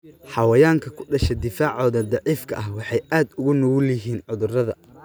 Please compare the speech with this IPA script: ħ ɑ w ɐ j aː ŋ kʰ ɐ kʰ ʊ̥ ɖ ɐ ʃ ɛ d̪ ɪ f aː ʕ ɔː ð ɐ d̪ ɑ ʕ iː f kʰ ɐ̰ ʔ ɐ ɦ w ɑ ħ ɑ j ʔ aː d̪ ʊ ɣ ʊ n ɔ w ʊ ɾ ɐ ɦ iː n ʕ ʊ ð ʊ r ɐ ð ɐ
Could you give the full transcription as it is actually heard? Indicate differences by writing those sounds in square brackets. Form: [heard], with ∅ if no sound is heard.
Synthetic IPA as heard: ħ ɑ w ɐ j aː ŋ kʰ ɐ kʰ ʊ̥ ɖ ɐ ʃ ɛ d̪ ɪ f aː ʕ ɔː ð ɐ d̪ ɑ ʕ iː f kʰ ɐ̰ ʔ ɐ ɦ w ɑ ħ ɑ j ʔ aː d̪ ʊ ɣ ʊ n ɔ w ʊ [l] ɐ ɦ iː n ʕ ʊ ð ʊ r ɐ ð ɐ

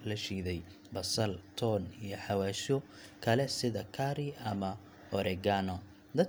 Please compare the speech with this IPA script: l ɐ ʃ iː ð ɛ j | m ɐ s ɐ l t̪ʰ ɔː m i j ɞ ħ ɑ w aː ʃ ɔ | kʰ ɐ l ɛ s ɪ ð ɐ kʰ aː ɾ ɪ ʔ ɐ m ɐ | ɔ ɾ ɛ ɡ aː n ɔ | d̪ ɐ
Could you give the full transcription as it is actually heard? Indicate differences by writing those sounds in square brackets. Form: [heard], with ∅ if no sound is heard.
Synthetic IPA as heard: l ɐ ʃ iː ð ɛ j | [b] ɐ s ɐ l t̪ʰ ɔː [n] i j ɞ ħ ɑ w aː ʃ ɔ | kʰ ɐ l ɛ s ɪ ð ɐ kʰ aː ɾ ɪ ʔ ɐ m ɐ | ɔ ɾ ɛ ɡ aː n ɔ | d̪ ɐ

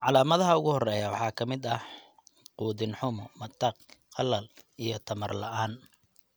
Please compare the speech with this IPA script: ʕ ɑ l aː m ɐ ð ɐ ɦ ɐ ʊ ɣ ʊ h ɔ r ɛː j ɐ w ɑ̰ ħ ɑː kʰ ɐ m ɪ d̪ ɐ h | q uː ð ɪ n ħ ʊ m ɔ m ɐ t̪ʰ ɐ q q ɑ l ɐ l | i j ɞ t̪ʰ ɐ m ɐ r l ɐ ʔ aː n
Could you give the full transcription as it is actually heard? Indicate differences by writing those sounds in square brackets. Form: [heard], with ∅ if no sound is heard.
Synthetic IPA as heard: ʕ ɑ l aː m ɐ ð ɐ ɦ ɐ ʊ ɣ ʊ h ɔ r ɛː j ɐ w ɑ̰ ħ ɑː kʰ ɐ m ɪ d̪ ɐ h | q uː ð ɪ n ħ ʊ m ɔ m ɐ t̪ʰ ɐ q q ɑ l ɐ l | i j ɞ t̪ʰ ɐ m ɐ r l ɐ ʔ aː n

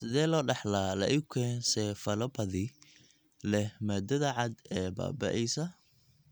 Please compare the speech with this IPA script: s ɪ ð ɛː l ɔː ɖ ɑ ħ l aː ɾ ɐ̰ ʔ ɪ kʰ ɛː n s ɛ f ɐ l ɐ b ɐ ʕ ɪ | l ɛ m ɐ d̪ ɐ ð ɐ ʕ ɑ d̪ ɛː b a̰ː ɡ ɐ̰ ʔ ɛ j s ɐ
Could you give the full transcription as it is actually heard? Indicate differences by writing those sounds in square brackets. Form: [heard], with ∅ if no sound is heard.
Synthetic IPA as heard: s ɪ ð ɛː l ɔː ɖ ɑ ħ l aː [l] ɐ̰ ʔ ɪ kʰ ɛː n s ɛ f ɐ l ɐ b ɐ [ð] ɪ | l ɛ m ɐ d̪ ɐ ð ɐ ʕ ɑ d̪ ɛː b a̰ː [b] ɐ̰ ʔ ɛ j s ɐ

